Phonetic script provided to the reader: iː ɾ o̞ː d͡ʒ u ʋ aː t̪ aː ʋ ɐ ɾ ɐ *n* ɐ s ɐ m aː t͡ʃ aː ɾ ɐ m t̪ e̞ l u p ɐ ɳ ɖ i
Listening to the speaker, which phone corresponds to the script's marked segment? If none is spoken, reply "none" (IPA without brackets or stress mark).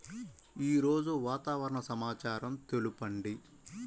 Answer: ɳ